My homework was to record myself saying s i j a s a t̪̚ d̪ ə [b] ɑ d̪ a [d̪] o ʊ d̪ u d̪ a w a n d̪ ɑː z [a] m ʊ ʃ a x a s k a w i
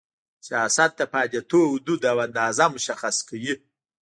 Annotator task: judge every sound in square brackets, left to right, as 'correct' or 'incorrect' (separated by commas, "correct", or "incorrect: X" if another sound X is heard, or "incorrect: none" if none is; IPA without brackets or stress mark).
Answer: incorrect: p, incorrect: t̪, correct